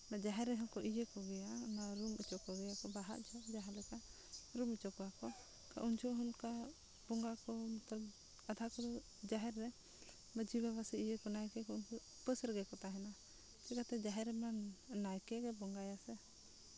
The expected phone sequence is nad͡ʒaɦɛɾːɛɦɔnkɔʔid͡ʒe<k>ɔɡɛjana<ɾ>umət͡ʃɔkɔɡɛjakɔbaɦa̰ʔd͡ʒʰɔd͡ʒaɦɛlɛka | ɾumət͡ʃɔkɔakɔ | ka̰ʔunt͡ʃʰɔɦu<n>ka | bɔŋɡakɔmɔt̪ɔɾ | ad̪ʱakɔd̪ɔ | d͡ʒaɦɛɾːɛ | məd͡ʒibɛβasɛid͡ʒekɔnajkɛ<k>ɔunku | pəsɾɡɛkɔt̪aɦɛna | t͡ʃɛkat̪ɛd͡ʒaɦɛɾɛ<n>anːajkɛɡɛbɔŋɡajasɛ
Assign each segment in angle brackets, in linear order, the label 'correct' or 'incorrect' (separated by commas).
correct, correct, correct, correct, incorrect